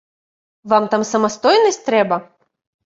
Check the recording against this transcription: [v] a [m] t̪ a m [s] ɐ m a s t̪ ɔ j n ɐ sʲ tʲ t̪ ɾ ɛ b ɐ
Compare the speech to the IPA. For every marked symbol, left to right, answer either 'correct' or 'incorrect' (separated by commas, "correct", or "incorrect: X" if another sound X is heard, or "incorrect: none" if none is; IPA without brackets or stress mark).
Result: correct, correct, correct